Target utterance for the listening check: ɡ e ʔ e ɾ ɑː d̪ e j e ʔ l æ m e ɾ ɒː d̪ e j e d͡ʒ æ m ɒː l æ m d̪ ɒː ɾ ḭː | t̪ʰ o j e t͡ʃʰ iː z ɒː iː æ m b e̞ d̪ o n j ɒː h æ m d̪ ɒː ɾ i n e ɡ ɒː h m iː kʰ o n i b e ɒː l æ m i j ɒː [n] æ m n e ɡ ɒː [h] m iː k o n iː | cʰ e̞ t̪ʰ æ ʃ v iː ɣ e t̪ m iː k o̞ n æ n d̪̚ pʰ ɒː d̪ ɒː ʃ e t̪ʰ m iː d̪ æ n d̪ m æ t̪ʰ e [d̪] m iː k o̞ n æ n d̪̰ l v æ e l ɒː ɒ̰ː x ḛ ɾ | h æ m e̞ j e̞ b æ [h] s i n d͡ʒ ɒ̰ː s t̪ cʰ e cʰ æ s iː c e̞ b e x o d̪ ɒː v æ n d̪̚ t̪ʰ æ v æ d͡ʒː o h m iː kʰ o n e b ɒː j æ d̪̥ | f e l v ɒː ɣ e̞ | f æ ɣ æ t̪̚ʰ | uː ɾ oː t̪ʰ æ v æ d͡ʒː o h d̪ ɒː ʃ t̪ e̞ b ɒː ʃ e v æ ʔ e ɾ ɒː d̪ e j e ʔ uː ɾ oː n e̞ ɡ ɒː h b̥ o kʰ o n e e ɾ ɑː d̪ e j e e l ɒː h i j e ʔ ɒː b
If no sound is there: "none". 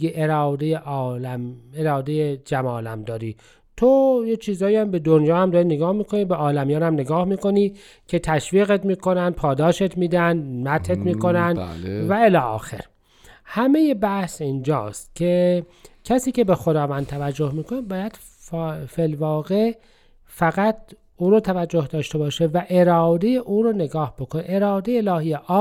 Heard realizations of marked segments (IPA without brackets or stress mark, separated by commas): n, h, t̪, h